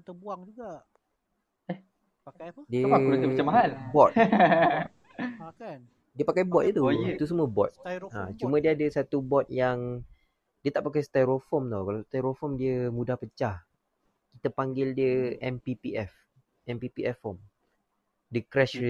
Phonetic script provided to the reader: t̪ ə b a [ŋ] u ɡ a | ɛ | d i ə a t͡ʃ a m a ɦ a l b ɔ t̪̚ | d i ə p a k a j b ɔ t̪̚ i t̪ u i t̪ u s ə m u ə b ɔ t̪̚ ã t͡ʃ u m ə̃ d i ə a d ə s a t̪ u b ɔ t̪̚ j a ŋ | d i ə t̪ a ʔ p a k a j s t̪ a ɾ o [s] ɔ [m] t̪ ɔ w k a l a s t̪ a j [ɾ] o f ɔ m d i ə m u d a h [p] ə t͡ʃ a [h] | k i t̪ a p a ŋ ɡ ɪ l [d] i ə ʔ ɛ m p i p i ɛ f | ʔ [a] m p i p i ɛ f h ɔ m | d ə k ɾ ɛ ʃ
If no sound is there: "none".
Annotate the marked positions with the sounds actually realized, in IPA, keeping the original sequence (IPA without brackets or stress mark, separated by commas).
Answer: ŋ, f, m, ɾ, p, h, d, ɛ